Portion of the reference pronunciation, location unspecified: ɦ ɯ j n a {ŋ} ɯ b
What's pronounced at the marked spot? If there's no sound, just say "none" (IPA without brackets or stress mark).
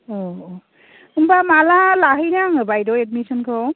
ŋ